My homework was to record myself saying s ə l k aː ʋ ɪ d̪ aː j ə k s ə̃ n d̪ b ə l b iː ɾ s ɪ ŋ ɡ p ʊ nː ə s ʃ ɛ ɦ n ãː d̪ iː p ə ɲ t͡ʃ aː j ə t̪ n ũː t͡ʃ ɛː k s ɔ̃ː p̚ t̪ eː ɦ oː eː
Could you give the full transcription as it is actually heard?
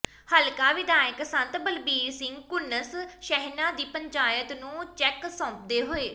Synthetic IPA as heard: h ə l k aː ʋ ɪ d̪ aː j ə k s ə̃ n t̪ b ə l b iː ɾ s ɪ ŋ ɡ k ʊ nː ə s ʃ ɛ ɦ n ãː d̪ iː p ə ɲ t͡ʃ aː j ə t̪ n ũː t͡ʃ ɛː k s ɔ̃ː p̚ d̪ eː ɦ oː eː